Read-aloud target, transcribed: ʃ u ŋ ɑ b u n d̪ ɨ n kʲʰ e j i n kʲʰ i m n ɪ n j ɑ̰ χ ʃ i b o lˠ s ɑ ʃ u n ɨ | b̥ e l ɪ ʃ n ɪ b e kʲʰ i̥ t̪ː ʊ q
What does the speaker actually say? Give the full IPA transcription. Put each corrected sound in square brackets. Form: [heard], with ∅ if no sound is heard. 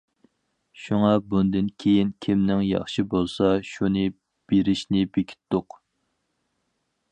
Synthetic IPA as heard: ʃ u ŋ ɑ b u n d̪ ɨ n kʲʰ e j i n kʲʰ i m n ɪ [ŋ] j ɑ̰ χ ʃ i b o lˠ s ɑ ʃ u n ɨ | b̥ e [ɾ] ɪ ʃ n ɪ b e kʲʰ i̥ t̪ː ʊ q